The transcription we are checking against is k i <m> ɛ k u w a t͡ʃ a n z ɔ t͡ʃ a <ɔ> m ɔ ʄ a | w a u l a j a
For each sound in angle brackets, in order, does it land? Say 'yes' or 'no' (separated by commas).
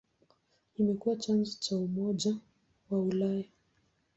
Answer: yes, no